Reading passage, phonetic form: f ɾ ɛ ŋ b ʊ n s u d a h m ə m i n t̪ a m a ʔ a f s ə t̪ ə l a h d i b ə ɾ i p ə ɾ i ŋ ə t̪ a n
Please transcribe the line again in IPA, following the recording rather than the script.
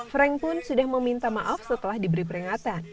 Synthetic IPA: f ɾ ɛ ŋ p ʊ n s u d a h m ə m i n t̪ a m a ʔ a f s ə t̪ ə l a h d i b ə ɾ i p ə ɾ i ŋ a t̪ a n